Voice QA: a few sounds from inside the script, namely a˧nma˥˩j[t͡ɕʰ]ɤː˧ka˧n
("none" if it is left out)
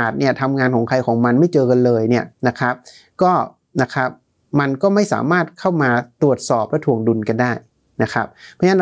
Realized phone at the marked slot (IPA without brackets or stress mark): t͡ɕ